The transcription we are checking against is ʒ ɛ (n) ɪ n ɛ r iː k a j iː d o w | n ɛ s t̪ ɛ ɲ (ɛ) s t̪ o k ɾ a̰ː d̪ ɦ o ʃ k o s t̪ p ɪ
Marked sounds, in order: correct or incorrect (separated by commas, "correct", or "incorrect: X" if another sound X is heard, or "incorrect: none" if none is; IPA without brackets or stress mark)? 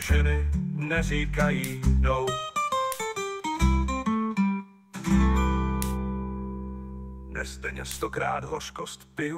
correct, correct